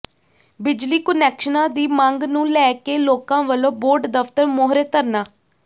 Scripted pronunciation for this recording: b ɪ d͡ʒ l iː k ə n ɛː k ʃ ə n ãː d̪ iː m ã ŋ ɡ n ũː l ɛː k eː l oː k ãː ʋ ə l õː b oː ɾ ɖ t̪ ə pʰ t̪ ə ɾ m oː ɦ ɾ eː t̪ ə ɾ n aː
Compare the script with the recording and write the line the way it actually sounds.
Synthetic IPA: b ɪ d͡ʒ l iː k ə n ɛː k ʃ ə n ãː d̪ iː m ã ŋ ɡ n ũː l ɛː k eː l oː k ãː ʋ ə l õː b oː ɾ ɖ d̪ ə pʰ t̪ ə ɾ m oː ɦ ɾ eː t̪ ə ɾ n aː